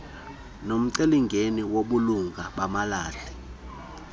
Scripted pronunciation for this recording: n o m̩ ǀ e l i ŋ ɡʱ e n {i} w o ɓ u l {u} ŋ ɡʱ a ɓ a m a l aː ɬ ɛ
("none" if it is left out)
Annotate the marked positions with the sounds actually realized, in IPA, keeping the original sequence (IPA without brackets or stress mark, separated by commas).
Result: i, u